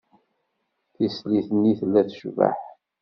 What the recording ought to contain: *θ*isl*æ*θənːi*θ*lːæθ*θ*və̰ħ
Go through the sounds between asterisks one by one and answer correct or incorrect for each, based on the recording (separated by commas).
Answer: correct, incorrect, correct, incorrect